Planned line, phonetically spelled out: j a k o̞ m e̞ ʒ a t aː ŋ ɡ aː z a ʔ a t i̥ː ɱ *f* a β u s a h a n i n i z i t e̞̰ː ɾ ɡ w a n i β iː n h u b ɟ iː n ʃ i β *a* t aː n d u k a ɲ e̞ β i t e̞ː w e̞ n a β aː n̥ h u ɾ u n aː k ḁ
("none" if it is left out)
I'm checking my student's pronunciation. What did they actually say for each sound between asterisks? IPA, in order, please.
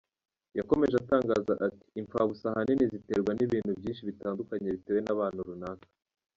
f, i

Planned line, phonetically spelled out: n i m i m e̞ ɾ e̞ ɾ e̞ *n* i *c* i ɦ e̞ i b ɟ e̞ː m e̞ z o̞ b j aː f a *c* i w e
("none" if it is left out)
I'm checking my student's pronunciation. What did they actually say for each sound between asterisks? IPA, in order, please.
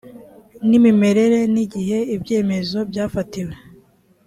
n, ɟ, t

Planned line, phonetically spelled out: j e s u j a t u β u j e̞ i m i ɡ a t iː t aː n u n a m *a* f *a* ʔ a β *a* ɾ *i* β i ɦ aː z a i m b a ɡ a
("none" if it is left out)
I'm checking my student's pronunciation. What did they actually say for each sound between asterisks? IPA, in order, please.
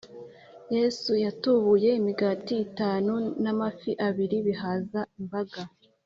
a, i, i, i

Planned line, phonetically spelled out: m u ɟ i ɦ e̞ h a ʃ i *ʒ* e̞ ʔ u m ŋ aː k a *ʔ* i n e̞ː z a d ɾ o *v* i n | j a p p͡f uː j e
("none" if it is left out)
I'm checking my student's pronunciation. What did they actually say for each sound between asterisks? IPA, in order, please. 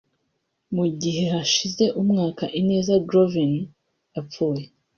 z, ʔ, v

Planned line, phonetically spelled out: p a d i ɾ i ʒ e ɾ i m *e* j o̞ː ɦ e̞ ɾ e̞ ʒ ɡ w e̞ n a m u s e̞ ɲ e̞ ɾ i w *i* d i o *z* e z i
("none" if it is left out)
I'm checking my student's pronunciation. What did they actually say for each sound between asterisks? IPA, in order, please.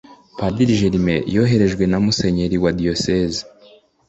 e, a, s

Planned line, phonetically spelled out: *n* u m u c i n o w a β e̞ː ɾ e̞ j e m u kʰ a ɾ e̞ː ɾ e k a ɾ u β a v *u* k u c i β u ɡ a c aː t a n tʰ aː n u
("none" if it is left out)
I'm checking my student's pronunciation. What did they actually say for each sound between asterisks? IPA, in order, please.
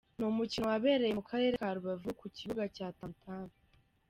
n, u

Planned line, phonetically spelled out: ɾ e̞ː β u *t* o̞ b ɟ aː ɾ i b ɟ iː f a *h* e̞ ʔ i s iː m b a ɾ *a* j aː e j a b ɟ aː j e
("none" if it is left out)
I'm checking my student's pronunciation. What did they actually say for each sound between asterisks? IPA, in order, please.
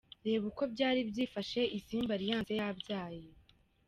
k, ʃ, i

